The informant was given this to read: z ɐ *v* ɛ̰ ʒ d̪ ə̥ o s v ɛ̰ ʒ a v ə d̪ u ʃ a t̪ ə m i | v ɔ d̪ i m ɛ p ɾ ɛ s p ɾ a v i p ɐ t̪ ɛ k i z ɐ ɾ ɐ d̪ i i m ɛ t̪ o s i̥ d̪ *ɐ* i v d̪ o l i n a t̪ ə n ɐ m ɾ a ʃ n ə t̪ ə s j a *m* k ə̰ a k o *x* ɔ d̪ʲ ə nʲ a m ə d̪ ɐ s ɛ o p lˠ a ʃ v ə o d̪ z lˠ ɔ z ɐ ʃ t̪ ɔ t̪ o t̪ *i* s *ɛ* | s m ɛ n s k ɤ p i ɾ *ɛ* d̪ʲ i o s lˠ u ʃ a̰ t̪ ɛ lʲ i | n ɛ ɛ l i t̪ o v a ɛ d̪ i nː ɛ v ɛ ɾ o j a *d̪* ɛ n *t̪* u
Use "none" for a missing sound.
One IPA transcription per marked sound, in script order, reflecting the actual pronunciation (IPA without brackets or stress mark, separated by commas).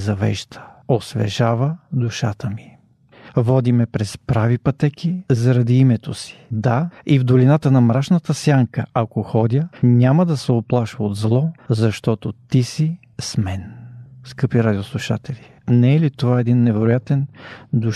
v, a, ŋ, x, i, i, a, t̪, d̪